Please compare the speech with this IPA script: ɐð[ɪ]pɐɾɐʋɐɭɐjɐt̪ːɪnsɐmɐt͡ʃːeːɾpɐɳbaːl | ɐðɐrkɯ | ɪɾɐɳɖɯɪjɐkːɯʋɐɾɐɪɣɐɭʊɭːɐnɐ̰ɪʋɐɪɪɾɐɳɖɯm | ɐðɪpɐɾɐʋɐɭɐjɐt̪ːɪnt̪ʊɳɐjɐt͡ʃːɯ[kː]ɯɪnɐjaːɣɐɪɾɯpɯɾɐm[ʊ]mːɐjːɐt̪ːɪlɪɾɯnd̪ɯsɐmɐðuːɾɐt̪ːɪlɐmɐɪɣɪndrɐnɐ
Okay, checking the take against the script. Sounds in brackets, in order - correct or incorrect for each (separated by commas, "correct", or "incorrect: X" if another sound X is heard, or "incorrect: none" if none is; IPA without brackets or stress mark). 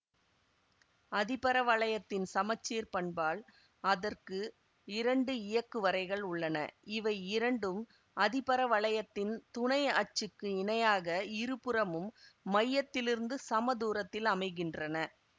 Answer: correct, correct, incorrect: ɯ